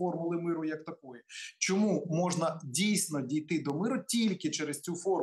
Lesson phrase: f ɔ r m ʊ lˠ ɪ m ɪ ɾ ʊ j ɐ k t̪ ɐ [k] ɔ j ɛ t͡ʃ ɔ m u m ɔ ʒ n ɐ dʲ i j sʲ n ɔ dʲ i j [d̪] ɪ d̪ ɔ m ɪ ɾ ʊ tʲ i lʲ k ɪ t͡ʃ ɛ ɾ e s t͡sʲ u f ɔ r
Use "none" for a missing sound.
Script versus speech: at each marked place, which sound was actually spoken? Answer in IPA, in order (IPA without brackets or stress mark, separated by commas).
k, t̪